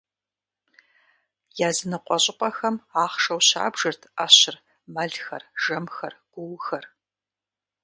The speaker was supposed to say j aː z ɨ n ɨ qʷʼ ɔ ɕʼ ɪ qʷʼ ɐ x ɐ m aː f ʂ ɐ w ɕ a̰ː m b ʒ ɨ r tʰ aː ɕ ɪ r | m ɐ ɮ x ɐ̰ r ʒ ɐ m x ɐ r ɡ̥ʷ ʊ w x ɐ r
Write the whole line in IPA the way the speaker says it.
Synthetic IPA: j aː z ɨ n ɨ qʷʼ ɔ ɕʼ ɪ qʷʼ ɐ x ɐ m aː χ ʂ ɐ w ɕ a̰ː b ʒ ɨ r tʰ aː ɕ ɪ r | m ɐ ɮ x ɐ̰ r ʒ ɐ m x ɐ r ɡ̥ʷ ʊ w x ɐ r